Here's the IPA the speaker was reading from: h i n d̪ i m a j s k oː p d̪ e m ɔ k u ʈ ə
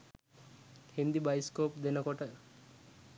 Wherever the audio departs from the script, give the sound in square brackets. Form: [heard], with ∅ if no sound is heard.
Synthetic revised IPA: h i n d̪ i [b] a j s k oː p d̪ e [n] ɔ k [ɔ] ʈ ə

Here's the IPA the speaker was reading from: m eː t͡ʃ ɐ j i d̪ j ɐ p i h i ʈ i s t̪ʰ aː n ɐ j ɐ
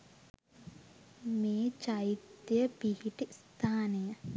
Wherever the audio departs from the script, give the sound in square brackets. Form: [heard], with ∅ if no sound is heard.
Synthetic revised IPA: m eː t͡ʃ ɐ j i [t̪] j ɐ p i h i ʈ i s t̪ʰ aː n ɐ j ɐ

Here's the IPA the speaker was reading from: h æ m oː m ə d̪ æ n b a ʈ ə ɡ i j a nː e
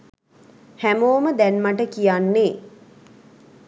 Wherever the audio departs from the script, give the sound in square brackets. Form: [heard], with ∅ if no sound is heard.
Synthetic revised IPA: h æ m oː m ə d̪ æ n [m] a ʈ ə [k] i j a nː e

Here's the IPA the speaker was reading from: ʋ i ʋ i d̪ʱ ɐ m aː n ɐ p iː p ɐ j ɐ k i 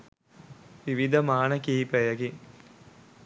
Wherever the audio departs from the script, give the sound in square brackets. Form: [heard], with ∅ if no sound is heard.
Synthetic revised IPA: ʋ i ʋ i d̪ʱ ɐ m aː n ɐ [k] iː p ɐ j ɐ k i

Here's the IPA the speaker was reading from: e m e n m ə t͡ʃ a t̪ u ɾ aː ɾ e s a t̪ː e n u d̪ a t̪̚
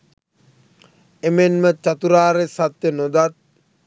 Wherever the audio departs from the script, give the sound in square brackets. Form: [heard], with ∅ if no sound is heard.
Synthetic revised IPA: e m e n m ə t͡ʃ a t̪ u ɾ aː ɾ e s a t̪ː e n [o] d̪ a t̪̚

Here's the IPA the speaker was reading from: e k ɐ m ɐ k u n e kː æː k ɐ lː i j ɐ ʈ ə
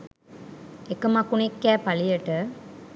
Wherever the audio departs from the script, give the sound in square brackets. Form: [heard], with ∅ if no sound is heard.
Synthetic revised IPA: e k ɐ m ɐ k u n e kː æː [p] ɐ [l] i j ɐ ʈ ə

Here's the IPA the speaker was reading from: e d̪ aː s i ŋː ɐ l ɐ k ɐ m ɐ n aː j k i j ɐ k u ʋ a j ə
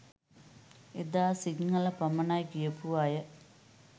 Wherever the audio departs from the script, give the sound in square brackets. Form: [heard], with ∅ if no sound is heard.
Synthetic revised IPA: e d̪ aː s i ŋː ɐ l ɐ [p] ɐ m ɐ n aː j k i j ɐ [p] u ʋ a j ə

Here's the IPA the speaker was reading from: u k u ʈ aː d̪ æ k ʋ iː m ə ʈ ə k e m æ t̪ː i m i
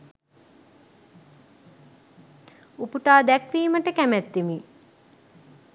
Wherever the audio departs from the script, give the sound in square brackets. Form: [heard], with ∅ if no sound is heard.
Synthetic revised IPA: u [p] u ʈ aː d̪ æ k ʋ iː m ə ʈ ə k [æ] m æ t̪ː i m i

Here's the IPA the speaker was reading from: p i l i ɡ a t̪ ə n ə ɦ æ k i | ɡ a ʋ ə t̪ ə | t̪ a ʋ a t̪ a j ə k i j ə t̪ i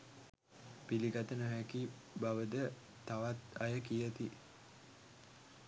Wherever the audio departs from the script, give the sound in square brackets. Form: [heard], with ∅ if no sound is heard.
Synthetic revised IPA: p i l i ɡ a t̪ ə n ə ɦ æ k i | [b] a ʋ ə [d̪] ə | t̪ a ʋ a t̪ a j ə k i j ə t̪ i

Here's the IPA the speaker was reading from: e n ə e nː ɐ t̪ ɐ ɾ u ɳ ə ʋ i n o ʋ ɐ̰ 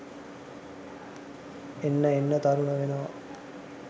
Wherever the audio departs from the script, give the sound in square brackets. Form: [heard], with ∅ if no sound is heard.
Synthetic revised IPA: e [nː] ə e nː [ə] t̪ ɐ ɾ u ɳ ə ʋ [e] n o ʋ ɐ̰

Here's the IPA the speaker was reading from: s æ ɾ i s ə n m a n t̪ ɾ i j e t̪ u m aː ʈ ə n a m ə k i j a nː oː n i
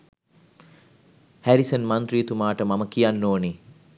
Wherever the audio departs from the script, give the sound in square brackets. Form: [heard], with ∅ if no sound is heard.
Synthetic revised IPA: [h] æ ɾ i s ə n m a n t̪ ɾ i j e t̪ u m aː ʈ ə [m] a m ə k i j a nː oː n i

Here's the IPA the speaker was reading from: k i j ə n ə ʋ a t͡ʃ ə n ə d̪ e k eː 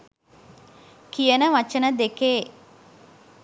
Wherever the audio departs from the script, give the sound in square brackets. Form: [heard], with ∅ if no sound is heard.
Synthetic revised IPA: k i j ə n ə ʋ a t͡ʃ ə n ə d̪ e k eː

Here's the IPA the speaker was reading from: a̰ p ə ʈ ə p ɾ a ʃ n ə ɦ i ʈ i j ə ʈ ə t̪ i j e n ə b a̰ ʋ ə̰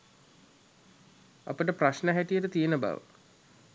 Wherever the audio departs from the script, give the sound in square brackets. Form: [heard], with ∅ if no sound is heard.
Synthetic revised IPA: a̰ p ə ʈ ə p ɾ a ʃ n ə ɦ [æ] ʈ i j ə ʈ ə t̪ i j e n ə b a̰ ʋ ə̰

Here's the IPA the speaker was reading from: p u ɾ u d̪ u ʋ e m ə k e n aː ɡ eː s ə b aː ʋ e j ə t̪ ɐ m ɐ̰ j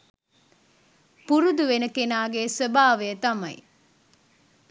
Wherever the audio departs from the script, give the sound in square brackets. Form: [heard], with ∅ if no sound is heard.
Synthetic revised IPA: p u ɾ u d̪ u ʋ e [n] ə k e n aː ɡ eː s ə b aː ʋ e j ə t̪ ɐ m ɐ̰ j

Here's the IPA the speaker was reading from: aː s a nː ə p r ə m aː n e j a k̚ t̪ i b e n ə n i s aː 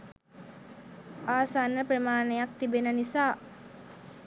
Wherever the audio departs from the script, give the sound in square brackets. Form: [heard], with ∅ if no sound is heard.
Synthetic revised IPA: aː s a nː ə p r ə m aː n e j a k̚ t̪ i b e n ə n i s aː

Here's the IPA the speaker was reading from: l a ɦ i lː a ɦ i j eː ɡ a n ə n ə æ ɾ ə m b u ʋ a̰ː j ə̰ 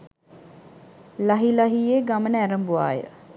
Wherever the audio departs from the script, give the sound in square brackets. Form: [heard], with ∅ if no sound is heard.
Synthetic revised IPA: l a ɦ i [l] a ɦ i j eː ɡ a [m] ə n ə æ ɾ ə m b u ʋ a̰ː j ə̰

